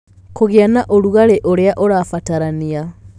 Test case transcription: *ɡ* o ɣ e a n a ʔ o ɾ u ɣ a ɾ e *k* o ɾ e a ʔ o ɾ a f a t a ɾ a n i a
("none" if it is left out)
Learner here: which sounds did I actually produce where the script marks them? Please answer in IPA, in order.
k, ʔ

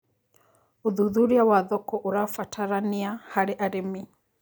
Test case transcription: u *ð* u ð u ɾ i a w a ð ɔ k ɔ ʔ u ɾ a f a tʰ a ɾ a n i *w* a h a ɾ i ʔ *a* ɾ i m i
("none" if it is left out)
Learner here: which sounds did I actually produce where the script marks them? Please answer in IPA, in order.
ð, none, a

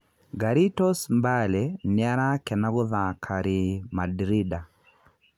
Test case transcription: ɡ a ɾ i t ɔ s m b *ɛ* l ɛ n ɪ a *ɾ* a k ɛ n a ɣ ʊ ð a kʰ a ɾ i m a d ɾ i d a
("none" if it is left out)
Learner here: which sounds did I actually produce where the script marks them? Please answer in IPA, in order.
a, ɾ

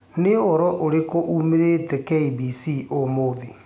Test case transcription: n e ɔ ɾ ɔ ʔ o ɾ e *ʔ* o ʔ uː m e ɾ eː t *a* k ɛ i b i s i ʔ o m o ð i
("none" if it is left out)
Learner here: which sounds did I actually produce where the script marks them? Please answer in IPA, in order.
k, ɛ

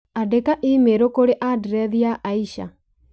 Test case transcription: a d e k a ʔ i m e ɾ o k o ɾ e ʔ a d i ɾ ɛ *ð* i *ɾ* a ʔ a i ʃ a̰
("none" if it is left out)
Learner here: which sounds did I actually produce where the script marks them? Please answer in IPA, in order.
ð, none

